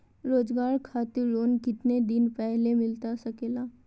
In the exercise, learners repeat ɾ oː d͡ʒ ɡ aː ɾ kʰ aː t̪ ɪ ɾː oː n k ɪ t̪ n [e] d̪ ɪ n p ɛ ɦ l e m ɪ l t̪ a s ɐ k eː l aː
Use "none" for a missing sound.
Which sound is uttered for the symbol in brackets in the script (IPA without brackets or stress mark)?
e